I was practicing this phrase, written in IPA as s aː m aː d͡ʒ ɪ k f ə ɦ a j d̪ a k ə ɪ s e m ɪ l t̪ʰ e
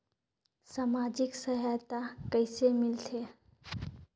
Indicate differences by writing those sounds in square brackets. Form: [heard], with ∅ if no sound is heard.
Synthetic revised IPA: s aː m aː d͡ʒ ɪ k [s] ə ɦ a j [t̪] a k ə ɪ s e m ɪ l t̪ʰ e